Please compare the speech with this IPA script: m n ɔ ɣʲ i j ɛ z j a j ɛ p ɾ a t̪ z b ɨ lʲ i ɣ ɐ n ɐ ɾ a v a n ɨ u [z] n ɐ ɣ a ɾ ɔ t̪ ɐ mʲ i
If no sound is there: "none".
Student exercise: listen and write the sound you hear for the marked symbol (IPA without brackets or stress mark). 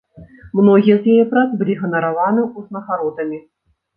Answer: z